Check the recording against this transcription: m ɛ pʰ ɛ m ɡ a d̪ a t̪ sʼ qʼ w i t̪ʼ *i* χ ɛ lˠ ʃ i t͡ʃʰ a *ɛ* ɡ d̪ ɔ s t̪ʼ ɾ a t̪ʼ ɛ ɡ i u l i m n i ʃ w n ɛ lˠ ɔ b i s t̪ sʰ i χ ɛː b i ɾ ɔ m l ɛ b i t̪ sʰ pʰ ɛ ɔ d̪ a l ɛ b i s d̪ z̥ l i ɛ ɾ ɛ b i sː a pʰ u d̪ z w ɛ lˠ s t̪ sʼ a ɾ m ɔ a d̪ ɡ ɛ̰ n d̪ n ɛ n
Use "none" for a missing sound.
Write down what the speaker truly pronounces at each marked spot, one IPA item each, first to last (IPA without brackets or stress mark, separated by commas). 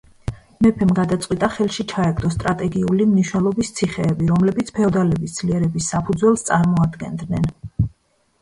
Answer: a, ɛ